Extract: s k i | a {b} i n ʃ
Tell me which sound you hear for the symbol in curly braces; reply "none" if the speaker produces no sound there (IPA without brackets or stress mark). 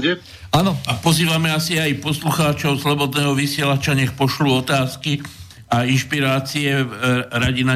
none